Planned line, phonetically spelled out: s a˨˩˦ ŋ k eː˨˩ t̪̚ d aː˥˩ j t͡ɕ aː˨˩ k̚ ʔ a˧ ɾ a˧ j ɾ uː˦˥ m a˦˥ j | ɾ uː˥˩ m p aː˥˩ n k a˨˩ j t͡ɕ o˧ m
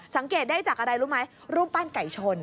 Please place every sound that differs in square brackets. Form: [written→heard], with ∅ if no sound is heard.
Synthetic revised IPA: s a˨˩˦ ŋ k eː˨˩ t̪̚ d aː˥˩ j t͡ɕ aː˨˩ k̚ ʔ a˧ ɾ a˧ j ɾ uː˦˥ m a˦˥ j | ɾ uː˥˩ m p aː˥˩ n k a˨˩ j [t͡ɕ→t͡ɕʰ] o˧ [m→n]